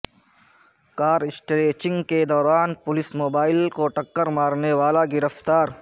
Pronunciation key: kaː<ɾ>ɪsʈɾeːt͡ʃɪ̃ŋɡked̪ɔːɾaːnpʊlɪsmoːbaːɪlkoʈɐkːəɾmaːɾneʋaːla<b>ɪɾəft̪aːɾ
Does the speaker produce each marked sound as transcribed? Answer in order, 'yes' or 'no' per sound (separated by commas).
yes, no